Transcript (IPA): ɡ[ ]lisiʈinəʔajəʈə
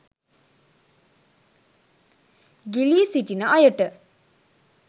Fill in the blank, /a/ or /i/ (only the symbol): i